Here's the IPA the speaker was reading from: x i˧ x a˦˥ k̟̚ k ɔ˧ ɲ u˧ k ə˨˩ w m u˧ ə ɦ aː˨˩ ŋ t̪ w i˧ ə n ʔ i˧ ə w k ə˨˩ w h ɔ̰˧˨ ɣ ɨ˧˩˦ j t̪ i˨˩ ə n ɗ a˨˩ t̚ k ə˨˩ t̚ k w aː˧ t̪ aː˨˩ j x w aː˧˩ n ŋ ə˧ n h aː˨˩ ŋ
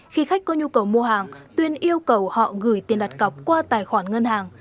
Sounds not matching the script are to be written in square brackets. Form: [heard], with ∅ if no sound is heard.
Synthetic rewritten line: x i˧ x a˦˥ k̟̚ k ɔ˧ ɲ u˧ k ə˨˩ w m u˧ ə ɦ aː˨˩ ŋ t̪ w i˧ ə n ʔ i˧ ə w k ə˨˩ w h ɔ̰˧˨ ɣ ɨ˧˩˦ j t̪ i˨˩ ə n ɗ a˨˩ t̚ k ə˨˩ [p̚] k w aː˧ t̪ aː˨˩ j x w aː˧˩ n ŋ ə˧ n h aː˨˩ ŋ